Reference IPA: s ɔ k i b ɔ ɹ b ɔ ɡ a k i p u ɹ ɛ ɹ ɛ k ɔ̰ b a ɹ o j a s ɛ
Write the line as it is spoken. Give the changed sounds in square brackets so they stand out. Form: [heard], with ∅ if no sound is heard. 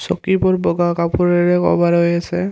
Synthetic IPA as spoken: s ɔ k i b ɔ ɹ b ɔ ɡ a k [a] p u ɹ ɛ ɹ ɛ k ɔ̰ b a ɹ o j a s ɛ